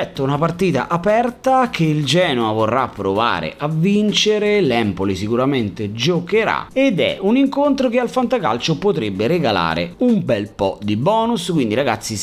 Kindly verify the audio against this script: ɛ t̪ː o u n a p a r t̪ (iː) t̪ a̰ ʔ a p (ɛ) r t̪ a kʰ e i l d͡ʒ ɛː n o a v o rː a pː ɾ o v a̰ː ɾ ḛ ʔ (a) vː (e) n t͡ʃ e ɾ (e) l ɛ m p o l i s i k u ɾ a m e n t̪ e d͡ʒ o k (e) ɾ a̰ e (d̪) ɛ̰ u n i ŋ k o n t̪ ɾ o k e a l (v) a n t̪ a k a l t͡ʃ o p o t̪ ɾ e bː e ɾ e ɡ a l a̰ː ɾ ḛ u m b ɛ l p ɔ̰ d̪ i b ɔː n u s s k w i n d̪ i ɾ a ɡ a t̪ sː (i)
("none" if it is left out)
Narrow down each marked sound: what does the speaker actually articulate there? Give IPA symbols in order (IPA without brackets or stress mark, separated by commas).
iː, ɛ, a, i, e, e, d̪, f, i